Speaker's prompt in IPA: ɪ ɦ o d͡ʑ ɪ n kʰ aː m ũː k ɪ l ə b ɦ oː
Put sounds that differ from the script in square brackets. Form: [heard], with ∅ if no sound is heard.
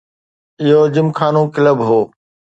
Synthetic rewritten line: ɪ ɦ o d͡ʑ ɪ [m] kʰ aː [n] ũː k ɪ l ə b ɦ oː